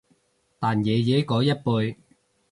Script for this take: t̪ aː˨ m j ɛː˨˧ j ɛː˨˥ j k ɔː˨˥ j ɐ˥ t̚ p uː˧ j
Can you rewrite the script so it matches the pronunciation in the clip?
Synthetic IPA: t̪ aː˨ n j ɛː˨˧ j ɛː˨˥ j k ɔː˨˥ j ɐ˥ t̚ p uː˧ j

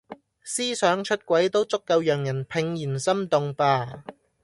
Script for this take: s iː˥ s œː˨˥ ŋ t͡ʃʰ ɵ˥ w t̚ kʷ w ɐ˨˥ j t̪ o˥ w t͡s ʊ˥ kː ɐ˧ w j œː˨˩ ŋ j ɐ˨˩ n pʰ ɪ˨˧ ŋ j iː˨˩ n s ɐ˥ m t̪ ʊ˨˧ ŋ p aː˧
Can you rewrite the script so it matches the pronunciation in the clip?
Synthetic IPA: s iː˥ s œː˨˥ ŋ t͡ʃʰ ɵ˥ t̚ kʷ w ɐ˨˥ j t̪ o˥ w t͡s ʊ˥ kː ɐ˧ w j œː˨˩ ŋ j ɐ˨˩ n pʰ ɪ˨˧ ŋ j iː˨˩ n s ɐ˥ m t̪ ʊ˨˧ ŋ p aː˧

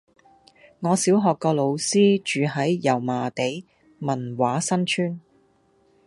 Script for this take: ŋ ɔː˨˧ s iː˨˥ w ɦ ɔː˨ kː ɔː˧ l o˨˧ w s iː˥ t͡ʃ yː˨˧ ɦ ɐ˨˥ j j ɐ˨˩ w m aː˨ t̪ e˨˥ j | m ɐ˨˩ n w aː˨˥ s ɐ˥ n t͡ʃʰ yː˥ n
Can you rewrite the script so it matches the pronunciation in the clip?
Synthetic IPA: ŋ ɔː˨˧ s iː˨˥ w ɦ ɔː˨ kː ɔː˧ l o˨˧ w s iː˥ t͡ʃ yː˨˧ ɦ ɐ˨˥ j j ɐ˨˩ w m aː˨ t̪ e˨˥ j | m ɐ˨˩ n w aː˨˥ s ɐ˥ n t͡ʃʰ yː˥ n

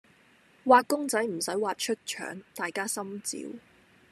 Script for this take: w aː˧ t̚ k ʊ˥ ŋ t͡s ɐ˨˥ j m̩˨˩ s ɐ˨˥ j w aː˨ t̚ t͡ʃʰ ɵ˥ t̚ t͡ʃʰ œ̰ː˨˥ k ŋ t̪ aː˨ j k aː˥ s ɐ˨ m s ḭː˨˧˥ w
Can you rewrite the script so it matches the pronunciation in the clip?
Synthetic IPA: w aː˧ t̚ k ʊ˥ ŋ t͡s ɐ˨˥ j m̩˨˩ s ɐ˨˥ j w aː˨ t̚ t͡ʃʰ ɵ˥ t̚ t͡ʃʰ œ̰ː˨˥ ŋ t̪ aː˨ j k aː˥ s ɐ˥ m t͡s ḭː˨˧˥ w

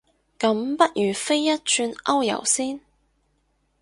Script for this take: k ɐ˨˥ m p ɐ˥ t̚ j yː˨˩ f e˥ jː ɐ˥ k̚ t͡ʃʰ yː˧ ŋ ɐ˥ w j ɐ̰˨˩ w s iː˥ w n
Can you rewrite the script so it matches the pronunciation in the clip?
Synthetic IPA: k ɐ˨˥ m p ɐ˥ t̚ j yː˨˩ f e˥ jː ɐ˥ t̚ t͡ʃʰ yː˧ n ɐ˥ w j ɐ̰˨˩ w s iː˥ n

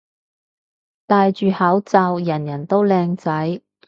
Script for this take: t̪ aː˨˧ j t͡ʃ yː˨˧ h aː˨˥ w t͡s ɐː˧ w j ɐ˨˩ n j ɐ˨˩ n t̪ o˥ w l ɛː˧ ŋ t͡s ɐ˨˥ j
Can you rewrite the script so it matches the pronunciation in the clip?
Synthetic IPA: t̪ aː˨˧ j t͡ʃ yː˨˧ h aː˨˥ w t͡s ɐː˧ w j ɐ˨˩ n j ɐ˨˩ n t̪ o˥ w l ɛː˧ ŋ t͡s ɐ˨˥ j

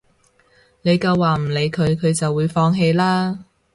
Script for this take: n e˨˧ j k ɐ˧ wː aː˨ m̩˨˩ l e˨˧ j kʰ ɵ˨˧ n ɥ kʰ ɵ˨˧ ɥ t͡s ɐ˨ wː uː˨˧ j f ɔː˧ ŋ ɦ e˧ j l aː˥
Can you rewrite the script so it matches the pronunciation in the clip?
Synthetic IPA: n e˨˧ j k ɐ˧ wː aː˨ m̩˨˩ l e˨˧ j kʰ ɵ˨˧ ɥ kʰ ɵ˨˧ ɥ t͡s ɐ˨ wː uː˨˧ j f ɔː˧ ŋ ɦ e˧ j l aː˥

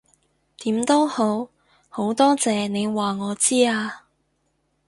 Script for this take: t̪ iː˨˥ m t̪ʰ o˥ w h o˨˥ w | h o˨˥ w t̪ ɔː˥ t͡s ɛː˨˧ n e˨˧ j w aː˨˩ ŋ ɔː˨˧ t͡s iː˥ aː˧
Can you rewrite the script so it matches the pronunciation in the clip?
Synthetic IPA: t̪ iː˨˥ m t̪ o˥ w h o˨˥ w | h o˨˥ w t̪ ɔː˥ t͡s ɛː˨˧ n e˨˧ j w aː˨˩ ŋ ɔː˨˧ t͡s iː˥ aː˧

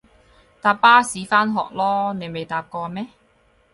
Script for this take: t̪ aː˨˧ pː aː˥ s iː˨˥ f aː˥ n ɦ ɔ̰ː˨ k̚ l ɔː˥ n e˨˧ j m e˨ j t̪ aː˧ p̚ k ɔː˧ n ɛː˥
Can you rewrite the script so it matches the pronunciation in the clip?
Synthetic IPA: t̪ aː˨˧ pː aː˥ s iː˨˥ f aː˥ n ɦ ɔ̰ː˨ k̚ l ɔː˥ n e˨˧ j m e˨ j t̪ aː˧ p̚ k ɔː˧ m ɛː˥

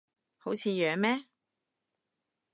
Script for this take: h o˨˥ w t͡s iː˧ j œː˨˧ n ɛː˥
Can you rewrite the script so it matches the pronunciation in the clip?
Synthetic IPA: h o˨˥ w t͡sʰ iː˧ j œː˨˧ m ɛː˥

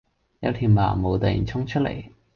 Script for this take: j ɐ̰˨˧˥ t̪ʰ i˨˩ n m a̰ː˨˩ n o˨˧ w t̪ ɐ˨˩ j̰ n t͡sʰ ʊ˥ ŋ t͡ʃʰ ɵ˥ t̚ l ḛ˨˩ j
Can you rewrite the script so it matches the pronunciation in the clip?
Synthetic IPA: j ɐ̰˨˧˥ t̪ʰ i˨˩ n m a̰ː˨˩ m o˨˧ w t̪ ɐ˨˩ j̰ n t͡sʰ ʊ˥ ŋ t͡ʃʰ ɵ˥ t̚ l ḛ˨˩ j

